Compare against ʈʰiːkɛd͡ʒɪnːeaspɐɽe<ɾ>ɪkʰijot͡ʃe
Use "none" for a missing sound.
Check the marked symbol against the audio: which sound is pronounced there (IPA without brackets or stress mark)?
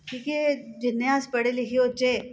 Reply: l